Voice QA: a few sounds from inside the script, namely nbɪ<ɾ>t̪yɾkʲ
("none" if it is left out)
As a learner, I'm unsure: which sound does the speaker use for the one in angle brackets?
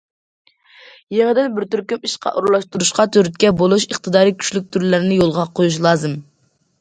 ɾ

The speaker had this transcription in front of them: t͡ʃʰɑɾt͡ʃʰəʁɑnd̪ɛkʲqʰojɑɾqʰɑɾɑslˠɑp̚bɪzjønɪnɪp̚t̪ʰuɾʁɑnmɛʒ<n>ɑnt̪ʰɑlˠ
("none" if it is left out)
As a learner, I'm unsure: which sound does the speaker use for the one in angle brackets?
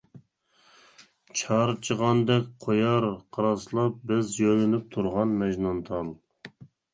n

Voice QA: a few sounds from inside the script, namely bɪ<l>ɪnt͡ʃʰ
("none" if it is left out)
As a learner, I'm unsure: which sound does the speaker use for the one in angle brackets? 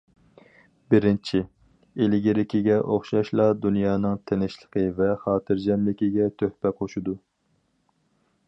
ɾ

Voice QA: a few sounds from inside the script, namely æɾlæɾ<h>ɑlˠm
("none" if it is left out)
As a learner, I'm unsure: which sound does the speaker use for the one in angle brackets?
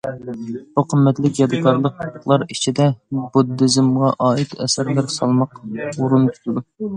s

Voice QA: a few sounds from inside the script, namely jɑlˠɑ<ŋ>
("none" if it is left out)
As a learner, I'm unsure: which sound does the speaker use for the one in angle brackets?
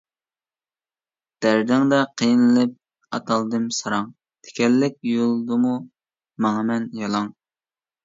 ŋ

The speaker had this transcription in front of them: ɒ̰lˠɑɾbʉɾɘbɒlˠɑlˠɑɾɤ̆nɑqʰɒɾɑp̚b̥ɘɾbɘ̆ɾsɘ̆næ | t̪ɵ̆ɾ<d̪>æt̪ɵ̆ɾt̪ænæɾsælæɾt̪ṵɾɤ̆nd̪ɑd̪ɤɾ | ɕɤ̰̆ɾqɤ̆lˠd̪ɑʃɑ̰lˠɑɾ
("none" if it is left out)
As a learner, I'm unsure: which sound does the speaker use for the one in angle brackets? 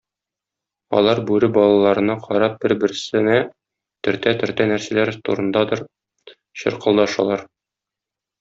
t̪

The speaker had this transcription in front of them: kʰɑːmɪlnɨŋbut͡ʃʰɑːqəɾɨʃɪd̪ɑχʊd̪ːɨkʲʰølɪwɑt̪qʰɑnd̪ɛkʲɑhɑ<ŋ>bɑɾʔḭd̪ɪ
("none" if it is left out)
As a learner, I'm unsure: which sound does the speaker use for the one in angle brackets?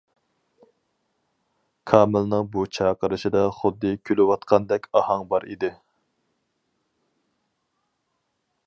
ŋ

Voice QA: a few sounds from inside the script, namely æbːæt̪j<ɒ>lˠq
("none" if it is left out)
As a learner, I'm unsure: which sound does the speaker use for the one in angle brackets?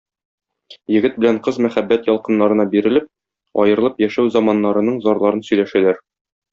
ɒ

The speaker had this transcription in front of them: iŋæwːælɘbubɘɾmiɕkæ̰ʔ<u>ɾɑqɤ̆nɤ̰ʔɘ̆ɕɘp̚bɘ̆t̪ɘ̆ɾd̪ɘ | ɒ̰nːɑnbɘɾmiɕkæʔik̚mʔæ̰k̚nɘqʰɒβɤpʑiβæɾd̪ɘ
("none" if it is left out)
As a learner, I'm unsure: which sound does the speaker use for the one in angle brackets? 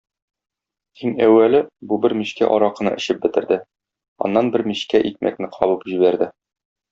ɒ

